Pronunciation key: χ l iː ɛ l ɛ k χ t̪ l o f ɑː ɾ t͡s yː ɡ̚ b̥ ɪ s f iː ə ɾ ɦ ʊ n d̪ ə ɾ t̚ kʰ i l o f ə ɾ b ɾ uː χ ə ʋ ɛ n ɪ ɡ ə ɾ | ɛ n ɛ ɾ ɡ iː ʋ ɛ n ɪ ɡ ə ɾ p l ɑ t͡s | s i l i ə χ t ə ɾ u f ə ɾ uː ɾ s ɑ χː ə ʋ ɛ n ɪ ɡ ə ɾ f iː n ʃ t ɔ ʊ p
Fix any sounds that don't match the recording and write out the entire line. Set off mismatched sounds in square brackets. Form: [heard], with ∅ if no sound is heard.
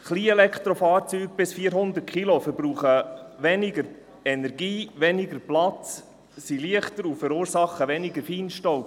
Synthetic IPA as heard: χ l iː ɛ l ɛ k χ t̪ [ɾ] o f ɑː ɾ t͡s yː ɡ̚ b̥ ɪ s f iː ə ɾ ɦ ʊ n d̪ ə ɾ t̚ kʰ i l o f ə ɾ b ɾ uː χ ə ʋ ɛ n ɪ ɡ ə ɾ | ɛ n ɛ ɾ ɡ iː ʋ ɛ n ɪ ɡ ə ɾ p l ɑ t͡s | s i l i ə χ t ə ɾ u f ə ɾ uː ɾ s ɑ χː ə ʋ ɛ n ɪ ɡ ə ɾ f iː n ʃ t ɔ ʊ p

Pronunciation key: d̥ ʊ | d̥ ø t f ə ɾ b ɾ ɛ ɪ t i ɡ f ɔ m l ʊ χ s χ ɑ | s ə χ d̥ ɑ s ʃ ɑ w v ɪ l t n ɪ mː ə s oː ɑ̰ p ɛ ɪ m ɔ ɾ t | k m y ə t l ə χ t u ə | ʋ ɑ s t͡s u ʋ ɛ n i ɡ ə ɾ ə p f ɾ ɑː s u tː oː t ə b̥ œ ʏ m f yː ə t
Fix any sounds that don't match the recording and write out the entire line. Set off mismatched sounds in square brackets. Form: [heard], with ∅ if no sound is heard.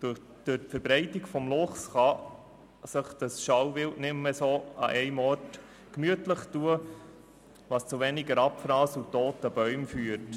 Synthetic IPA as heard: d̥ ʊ | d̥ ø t f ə ɾ b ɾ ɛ ɪ t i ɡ f ɔ m l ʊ χ s χ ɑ | s ə χ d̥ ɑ s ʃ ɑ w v ɪ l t n ɪ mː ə s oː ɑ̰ [ʔ] ɛ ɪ m ɔ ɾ t | k m y ə t l ə χ t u ə | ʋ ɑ s t͡s u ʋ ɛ n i ɡ ə ɾ [ɑ] p f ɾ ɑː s u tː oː t ə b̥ œ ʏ m f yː ə t

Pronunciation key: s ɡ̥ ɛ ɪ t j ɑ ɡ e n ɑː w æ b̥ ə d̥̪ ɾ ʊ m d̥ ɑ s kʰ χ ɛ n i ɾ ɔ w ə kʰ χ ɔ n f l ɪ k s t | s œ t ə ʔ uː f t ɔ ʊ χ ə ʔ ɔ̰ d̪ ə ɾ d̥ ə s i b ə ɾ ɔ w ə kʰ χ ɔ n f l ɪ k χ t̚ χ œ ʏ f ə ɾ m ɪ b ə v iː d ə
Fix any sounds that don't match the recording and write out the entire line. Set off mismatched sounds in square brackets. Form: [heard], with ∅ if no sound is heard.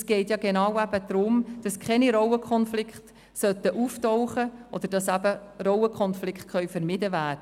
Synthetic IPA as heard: s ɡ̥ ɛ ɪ t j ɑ ɡ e n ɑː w æ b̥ ə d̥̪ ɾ ʊ m d̥ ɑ s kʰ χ ɛ n i ɾ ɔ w ə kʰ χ ɔ n f l ɪ k [χ] t | s œ t ə ʔ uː f t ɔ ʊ χ ə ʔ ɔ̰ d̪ ə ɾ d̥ [ɑ] s [æ] b ə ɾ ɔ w ə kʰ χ ɔ n f l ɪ k χ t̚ χ œ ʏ f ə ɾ m ɪ [d] ə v [æː] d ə

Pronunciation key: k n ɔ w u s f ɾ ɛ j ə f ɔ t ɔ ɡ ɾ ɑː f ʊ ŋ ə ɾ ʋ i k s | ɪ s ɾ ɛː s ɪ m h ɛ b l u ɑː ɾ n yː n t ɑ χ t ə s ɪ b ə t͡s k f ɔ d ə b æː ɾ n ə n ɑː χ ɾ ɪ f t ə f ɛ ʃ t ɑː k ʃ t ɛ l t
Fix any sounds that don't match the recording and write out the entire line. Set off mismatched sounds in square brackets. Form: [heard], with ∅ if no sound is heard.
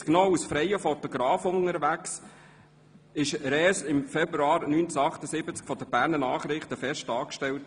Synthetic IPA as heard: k n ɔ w u s f ɾ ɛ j ə f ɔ t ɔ ɡ ɾ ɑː f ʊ ŋ ə ɾ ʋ [æ] k s | ɪ [ʃ] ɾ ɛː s ɪ m [f] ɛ b [ɾ] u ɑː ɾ n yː n [t͡s] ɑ χ t ə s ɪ b ə t͡s k f ɔ d ə b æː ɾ n ə n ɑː χ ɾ ɪ [χ] t ə f ɛ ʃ t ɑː k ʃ t ɛ l t

